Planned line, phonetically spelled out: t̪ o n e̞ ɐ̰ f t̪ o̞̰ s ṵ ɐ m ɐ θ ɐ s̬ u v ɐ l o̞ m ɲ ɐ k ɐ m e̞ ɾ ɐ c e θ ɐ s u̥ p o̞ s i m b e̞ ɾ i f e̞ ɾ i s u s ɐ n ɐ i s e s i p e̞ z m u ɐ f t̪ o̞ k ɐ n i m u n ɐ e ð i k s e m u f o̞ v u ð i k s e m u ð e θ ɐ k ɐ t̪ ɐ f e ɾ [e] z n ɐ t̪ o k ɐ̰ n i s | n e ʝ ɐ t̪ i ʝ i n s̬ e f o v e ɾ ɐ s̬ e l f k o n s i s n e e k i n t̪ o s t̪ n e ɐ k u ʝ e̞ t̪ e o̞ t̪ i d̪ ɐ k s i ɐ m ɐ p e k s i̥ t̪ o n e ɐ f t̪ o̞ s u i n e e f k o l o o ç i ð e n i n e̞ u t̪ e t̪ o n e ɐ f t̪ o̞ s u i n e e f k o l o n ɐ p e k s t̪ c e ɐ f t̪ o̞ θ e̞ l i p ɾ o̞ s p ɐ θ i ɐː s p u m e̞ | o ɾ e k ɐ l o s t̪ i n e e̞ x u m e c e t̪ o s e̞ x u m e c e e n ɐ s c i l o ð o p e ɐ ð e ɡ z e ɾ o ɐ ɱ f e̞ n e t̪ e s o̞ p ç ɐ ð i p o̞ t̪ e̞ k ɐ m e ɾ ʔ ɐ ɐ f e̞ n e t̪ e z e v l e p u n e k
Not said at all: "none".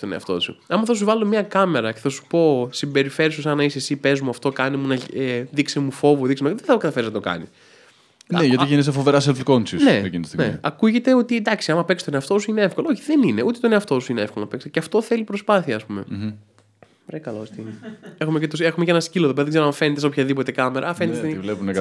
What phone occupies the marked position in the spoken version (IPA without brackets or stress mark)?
i